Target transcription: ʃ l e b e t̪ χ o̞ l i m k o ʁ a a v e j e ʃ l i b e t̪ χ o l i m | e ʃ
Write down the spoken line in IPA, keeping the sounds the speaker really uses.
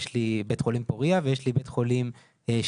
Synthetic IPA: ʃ l i b e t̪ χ o̞ l i m p o ʁ i a v e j e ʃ l i b e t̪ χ o l i m | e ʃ